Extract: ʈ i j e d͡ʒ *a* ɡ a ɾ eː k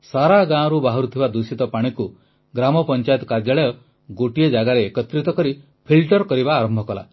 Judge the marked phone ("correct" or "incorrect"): correct